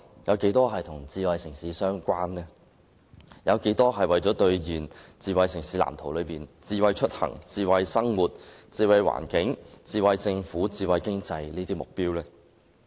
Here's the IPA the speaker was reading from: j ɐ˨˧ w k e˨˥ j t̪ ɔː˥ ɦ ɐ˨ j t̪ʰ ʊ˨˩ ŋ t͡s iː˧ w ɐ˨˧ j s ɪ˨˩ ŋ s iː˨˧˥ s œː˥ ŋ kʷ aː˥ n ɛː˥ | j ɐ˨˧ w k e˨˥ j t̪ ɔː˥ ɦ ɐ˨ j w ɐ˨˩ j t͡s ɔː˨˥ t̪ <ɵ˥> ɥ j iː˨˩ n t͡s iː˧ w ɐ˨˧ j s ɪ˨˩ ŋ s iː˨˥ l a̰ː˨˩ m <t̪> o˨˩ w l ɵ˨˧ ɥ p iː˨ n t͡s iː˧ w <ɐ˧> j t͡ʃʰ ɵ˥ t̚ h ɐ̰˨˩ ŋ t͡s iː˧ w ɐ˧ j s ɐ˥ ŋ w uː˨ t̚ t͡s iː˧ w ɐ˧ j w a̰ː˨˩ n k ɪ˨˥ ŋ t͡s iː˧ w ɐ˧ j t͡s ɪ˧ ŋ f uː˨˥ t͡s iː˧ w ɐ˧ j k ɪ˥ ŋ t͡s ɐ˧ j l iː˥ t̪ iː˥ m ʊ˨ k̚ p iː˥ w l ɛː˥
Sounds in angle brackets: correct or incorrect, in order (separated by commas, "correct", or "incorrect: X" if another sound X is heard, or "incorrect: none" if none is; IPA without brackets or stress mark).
incorrect: ɵ˧, incorrect: t̪ʰ, correct